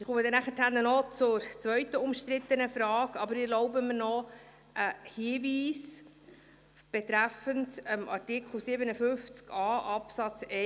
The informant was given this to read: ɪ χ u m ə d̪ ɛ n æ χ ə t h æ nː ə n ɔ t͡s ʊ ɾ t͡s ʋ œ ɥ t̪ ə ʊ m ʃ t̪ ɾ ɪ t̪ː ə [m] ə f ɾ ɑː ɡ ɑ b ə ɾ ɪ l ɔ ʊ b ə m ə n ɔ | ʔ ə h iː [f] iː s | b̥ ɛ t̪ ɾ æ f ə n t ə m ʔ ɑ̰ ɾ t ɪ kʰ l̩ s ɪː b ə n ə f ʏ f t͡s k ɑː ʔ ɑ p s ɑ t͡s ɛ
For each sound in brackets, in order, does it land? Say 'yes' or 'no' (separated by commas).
no, no